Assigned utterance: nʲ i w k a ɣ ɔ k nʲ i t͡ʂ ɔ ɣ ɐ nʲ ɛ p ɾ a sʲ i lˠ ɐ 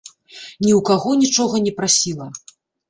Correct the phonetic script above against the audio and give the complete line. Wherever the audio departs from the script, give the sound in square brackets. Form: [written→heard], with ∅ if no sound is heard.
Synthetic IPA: nʲ i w k a ɣ ɔ [k→∅] nʲ i t͡ʂ ɔ ɣ ɐ nʲ ɛ p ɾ a sʲ i lˠ ɐ